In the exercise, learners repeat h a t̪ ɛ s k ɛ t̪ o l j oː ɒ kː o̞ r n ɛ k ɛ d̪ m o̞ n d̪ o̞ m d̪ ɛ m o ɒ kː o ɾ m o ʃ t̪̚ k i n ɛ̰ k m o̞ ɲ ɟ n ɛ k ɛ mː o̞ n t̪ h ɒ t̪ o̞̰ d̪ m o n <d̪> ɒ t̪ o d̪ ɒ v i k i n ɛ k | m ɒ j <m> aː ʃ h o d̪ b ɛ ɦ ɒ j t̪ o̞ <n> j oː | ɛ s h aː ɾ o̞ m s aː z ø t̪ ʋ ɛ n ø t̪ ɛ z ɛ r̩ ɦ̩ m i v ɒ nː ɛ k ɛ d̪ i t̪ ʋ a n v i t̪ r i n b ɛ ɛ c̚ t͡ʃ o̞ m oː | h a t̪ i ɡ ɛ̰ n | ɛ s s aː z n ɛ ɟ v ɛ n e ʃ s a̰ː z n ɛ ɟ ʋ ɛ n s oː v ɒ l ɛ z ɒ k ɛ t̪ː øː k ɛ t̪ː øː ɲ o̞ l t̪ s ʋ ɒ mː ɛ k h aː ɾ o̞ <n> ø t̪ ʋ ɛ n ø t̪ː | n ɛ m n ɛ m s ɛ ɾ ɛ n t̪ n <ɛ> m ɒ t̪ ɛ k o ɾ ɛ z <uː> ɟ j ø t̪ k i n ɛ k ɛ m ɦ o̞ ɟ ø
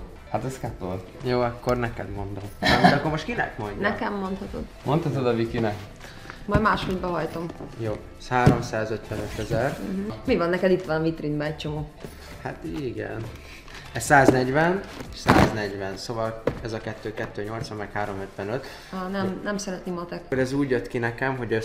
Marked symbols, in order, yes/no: no, yes, no, no, no, yes

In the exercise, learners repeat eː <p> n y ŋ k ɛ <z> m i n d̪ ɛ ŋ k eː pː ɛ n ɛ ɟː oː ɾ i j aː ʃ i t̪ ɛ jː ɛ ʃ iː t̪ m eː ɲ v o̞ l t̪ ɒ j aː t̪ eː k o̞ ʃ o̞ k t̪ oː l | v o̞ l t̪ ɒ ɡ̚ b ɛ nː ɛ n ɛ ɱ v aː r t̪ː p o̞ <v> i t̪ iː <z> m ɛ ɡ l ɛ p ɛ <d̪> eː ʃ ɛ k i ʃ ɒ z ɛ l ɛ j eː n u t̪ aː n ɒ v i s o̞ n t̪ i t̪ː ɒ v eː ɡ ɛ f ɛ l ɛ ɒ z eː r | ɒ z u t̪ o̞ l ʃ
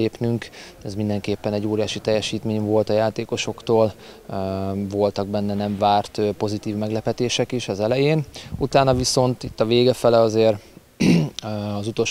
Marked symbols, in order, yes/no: yes, yes, no, no, no

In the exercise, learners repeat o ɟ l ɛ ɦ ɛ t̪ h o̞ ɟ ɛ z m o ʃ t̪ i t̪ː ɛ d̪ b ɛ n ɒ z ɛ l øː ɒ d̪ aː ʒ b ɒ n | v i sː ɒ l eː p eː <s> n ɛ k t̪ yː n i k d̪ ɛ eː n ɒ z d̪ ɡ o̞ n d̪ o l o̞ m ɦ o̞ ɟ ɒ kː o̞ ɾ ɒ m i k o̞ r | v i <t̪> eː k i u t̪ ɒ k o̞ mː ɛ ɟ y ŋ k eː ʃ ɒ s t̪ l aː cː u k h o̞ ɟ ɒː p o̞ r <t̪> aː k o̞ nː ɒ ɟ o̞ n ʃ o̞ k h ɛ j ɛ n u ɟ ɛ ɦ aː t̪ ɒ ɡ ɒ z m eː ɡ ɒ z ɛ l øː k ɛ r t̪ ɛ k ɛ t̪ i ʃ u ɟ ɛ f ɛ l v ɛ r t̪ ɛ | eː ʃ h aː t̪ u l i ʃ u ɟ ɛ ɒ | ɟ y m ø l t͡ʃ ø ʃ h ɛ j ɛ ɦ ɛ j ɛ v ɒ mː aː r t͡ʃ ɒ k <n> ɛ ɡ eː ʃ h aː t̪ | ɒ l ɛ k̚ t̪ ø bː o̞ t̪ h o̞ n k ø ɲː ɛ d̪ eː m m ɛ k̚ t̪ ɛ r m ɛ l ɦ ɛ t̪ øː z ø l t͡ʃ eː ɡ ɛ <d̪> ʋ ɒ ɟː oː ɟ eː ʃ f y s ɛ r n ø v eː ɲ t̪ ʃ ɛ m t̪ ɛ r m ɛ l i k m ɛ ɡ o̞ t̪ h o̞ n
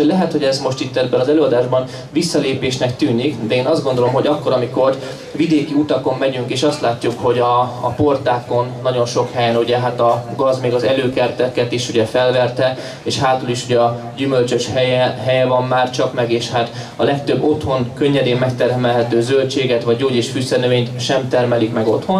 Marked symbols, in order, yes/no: no, no, yes, no, no

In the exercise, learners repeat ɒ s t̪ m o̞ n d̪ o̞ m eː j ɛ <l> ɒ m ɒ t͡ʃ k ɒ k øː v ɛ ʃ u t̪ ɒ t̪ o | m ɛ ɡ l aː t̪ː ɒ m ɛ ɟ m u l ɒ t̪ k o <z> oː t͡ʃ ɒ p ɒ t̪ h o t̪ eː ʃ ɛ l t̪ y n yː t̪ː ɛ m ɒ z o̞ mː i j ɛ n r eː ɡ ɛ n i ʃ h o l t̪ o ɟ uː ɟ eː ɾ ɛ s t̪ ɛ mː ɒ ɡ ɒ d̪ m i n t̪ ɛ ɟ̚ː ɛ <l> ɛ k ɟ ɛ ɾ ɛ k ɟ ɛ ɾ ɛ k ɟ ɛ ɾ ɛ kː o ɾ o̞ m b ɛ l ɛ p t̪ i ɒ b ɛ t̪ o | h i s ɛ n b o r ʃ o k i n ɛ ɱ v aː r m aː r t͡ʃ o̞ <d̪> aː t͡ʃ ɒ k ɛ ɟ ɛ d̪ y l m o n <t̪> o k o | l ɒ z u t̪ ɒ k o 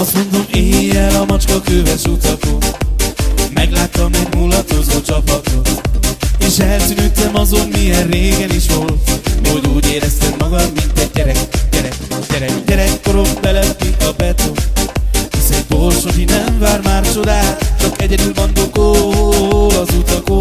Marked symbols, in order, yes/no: yes, yes, no, yes, no

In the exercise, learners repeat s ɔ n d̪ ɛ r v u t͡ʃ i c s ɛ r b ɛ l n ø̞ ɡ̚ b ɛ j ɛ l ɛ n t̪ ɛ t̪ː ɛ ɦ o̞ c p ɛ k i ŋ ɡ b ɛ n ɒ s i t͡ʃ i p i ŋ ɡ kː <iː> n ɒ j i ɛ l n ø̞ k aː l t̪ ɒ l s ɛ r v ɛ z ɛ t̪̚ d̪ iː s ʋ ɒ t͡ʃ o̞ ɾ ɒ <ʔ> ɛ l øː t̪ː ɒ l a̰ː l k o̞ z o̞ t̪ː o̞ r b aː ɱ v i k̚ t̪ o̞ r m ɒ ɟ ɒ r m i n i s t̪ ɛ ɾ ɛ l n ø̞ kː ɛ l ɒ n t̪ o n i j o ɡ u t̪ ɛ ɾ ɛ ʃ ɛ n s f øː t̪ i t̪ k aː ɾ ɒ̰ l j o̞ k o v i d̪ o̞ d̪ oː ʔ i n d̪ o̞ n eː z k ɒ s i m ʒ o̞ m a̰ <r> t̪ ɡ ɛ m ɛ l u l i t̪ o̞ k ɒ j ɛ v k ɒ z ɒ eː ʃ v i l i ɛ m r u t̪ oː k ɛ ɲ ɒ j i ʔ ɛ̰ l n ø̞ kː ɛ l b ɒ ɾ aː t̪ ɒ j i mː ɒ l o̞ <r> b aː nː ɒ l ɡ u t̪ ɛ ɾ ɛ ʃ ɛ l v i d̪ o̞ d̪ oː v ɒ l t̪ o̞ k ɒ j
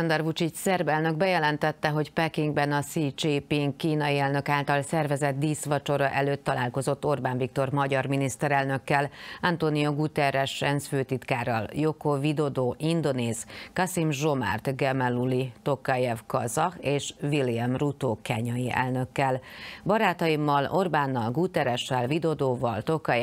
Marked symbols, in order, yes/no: yes, yes, yes, yes

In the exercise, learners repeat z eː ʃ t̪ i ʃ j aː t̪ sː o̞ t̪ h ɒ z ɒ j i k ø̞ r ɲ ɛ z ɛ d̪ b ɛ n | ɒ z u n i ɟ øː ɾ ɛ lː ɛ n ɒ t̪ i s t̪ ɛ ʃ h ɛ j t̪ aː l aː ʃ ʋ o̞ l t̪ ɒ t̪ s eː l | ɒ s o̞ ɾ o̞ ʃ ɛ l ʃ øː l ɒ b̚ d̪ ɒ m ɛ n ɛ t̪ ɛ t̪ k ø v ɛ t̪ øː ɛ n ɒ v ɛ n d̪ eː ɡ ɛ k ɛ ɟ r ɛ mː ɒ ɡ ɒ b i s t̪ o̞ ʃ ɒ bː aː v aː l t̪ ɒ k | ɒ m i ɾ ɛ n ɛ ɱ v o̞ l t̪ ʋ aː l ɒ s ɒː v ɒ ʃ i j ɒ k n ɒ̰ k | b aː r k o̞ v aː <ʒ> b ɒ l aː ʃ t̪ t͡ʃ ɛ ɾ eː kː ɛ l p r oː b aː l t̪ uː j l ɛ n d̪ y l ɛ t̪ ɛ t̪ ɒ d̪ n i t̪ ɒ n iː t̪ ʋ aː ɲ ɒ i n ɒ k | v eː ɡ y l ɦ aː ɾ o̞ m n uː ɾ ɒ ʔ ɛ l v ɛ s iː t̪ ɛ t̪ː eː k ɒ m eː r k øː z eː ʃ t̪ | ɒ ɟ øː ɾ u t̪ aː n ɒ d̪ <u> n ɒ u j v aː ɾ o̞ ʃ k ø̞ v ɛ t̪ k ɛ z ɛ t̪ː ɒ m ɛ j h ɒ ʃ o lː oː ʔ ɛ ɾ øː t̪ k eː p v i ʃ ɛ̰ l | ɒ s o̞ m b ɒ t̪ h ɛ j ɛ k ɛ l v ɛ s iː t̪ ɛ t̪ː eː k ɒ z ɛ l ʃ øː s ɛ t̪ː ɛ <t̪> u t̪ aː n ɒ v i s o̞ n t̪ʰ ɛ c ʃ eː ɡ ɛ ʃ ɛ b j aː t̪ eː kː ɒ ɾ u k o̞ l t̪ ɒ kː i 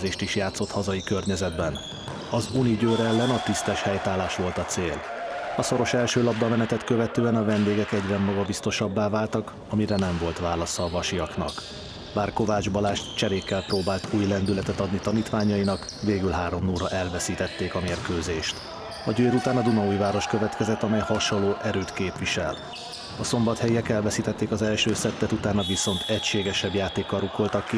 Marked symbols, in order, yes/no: no, yes, yes

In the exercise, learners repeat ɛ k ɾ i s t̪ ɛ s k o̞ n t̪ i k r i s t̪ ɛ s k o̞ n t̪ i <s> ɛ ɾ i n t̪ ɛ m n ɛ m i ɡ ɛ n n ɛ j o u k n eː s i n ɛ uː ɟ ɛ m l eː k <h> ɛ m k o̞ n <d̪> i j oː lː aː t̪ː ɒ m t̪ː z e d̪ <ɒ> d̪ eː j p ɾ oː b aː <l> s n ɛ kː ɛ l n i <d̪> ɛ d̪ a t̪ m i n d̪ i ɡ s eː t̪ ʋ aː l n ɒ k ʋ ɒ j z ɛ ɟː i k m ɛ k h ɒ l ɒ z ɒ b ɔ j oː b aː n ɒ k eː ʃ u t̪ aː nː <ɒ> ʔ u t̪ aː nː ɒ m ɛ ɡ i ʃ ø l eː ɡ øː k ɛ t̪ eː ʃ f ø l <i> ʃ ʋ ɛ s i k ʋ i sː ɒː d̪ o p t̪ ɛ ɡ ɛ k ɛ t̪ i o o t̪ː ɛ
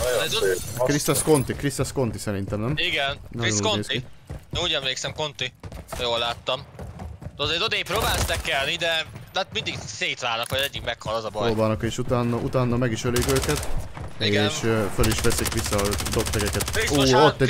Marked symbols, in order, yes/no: yes, no, no, no, yes, yes, yes, yes

